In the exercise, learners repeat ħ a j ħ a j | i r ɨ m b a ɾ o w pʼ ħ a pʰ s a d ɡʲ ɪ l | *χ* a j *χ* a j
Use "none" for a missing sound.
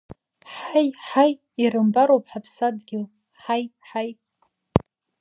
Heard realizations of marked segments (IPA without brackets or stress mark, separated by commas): ħ, ħ